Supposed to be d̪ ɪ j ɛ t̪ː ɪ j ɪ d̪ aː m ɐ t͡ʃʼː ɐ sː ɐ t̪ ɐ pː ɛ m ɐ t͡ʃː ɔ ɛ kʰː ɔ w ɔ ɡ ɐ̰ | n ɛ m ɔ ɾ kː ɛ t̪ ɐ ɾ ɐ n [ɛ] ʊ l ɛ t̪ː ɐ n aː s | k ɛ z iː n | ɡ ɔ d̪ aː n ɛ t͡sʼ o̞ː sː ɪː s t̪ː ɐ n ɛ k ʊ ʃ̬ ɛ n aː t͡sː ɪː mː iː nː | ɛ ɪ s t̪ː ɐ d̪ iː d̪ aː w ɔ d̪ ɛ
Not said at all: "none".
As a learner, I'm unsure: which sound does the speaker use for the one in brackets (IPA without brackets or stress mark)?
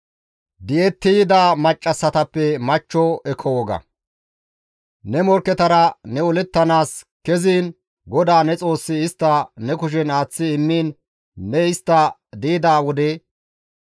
ɛ